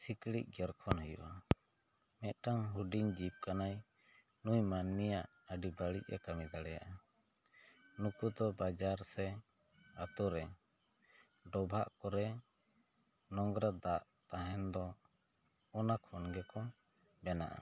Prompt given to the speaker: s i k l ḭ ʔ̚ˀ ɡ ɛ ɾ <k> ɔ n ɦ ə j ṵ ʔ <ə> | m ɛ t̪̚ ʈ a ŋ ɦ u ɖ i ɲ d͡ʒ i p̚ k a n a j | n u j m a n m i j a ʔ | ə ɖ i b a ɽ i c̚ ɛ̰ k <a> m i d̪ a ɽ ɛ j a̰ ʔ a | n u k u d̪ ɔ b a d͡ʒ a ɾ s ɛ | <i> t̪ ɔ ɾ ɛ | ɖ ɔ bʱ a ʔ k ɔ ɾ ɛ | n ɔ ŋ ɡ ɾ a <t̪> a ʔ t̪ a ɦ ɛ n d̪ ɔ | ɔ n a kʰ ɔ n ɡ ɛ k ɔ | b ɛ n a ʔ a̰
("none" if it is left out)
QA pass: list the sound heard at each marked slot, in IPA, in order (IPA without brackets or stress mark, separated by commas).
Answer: kʰ, a, a, a, d̪